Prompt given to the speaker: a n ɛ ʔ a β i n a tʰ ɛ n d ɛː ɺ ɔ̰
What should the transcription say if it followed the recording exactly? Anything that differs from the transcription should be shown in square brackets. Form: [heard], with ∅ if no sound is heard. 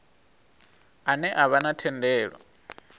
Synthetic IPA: a n ɛ ʔ a β [a] n a tʰ ɛ n d ɛː ɺ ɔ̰